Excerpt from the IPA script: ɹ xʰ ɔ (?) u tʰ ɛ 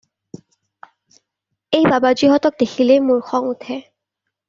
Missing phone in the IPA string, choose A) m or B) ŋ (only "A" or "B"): B